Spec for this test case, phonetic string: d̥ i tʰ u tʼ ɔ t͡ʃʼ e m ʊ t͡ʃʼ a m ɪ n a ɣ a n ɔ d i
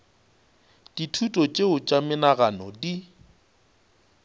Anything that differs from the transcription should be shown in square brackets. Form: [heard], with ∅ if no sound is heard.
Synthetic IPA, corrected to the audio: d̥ i tʰ u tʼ ɔ t͡ʃʼ e [∅] ʊ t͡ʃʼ a m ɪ n a ɣ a n ɔ d i

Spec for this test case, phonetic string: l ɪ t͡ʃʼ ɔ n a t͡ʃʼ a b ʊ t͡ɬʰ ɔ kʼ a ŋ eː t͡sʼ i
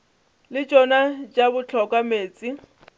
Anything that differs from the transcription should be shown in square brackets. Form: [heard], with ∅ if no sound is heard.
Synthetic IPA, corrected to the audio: l ɪ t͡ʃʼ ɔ n a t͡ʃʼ a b ʊ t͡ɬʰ ɔ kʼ a [m] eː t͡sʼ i

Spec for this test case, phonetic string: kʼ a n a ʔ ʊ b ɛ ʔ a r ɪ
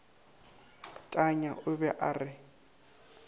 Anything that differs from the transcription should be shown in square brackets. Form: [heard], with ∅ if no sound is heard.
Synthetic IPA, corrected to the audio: [tʼ] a [ɲ] a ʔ ʊ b ɛ ʔ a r ɪ

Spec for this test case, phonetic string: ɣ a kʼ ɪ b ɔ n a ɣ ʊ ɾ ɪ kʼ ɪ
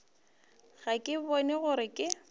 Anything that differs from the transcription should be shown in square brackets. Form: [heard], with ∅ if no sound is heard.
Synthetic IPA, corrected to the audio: ɣ a kʼ ɪ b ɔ n [ɛ] ɣ ʊ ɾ ɪ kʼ ɪ

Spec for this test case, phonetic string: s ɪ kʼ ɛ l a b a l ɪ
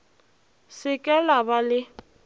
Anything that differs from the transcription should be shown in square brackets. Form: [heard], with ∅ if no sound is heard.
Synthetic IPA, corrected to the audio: s ɪ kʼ ɛ l a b a l ɪ

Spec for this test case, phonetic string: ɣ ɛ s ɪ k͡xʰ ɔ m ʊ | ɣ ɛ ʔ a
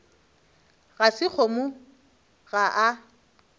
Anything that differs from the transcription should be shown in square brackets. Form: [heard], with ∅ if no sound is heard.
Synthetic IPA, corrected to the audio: ɣ [a] s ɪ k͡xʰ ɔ m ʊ | ɣ [a] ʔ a

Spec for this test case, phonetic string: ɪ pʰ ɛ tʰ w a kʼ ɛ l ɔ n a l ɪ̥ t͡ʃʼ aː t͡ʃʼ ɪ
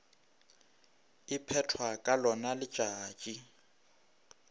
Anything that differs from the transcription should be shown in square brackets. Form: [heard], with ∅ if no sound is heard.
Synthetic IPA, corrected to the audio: ɪ pʰ ɛ tʰ w a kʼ [a] l ɔ n a l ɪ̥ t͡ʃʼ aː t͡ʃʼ [i]

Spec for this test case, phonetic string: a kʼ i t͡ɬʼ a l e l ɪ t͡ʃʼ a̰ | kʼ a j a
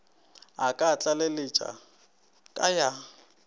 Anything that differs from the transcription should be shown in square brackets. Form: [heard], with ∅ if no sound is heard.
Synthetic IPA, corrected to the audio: a kʼ [a] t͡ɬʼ a l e l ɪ t͡ʃʼ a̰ | kʼ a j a

